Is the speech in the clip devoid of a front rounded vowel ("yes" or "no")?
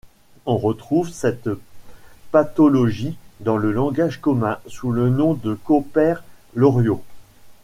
yes